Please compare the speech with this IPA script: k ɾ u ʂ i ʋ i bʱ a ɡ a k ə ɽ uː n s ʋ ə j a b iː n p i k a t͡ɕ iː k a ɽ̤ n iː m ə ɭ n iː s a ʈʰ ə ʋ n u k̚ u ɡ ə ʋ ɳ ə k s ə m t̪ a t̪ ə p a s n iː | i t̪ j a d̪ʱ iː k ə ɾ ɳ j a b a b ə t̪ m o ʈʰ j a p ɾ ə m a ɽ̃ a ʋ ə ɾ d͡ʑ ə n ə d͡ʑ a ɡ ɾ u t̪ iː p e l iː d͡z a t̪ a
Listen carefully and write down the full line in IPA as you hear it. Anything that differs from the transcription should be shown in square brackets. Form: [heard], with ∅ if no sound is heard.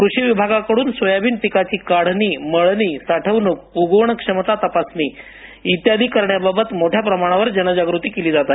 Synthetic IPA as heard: k ɾ u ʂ i ʋ i bʱ a ɡ a k ə ɽ uː n s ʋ ə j a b iː n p i k a t͡ɕ iː k a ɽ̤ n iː m ə ɭ n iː s a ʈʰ ə ʋ n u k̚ u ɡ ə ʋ ɳ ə k [ʂ] ə m t̪ a t̪ ə p a s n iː | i t̪ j a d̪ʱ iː k ə ɾ ɳ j a b a b ə t̪ m o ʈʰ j a p ɾ ə m a ɽ̃ a ʋ ə ɾ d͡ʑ ə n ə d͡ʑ a ɡ ɾ u t̪ iː [k] e l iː d͡z a t̪ a